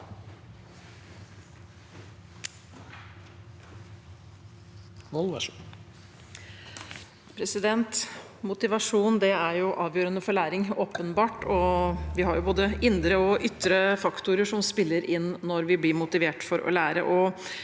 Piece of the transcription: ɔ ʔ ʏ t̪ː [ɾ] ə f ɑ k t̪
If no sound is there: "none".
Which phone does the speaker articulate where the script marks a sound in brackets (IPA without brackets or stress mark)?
ɾ